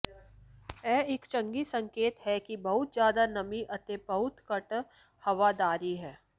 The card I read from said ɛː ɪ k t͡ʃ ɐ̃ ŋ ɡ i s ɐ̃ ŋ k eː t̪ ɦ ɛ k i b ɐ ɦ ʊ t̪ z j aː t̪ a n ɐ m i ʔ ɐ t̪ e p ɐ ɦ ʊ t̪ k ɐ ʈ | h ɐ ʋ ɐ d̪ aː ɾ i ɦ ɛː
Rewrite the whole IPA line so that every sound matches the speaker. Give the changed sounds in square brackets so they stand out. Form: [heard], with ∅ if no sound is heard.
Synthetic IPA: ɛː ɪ k t͡ʃ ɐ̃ ŋ ɡ i s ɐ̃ ŋ k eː t̪ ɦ ɛ k i b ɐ ɦ ʊ t̪ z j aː [d̪] a n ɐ m i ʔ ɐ t̪ e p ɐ ɦ ʊ t̪ k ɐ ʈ | h ɐ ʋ [a] d̪ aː ɾ i ɦ ɛː